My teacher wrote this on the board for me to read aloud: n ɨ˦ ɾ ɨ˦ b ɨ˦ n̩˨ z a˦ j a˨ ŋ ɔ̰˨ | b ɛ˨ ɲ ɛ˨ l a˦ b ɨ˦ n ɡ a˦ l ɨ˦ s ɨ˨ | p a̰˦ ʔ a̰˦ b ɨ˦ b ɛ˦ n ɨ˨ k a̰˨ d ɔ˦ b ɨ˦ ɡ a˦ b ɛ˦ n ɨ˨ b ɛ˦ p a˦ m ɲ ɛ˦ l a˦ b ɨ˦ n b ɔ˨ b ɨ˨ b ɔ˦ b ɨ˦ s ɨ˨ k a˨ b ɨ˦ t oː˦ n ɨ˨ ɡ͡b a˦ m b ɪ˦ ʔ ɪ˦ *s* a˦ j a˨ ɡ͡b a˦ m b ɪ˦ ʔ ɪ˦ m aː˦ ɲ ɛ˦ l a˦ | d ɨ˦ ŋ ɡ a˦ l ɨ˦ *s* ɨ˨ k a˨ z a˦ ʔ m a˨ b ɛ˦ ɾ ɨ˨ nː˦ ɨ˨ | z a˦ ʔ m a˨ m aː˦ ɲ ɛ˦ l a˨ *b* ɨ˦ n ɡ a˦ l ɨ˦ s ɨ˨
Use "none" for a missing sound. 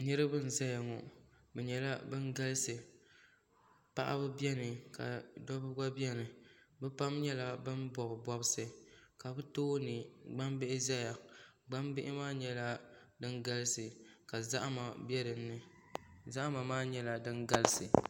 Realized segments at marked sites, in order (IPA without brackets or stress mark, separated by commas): z, s, d